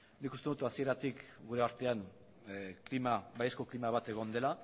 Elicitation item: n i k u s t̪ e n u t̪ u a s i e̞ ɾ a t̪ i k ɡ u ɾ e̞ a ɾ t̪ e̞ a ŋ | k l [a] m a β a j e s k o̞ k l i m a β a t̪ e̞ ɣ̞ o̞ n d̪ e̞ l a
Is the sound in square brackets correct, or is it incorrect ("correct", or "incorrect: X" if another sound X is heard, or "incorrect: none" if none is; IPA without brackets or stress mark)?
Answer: incorrect: i